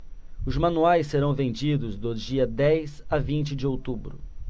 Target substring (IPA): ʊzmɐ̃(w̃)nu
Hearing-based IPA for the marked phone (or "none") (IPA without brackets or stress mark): none